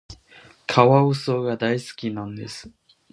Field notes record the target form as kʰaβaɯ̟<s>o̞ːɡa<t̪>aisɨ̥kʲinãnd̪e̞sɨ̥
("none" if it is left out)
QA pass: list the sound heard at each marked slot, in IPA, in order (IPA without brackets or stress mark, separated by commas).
s, d̪